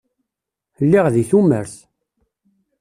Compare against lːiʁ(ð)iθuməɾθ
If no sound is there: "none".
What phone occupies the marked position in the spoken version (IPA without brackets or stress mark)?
ð